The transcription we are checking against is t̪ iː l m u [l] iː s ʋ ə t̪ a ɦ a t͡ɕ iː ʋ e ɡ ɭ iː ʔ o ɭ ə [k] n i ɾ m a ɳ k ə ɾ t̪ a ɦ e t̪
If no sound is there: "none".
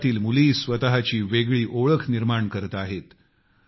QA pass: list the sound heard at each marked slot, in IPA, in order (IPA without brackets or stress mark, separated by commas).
l, kʰ